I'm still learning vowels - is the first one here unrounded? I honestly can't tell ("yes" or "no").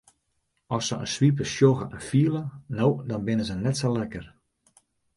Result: no